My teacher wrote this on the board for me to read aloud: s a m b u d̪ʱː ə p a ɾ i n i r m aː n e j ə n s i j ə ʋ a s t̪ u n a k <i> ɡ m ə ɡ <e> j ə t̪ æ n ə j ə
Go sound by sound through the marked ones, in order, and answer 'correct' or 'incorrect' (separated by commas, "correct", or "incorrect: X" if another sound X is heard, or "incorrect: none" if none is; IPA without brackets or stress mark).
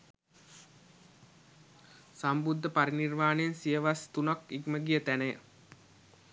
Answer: correct, incorrect: i